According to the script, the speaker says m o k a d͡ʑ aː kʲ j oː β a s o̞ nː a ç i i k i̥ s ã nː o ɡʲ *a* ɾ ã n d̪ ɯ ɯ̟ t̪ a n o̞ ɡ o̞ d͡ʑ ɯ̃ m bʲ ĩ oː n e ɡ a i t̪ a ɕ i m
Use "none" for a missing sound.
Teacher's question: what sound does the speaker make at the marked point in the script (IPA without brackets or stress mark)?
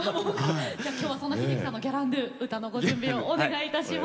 a